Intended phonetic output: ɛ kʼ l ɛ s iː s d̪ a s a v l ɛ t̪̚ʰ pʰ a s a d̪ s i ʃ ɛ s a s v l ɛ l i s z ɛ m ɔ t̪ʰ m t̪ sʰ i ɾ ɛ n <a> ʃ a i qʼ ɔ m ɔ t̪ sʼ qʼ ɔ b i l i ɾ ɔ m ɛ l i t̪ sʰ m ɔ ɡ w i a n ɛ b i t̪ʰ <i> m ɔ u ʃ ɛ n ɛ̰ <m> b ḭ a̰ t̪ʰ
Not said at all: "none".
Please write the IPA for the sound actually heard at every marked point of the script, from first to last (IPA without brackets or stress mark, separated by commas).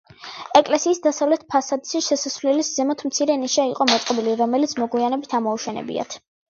i, a, none